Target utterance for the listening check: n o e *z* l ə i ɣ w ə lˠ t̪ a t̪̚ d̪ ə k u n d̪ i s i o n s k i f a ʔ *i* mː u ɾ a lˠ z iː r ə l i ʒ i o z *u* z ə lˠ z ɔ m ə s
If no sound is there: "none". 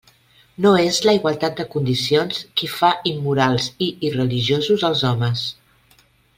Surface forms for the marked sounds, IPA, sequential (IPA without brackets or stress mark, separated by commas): z, i, u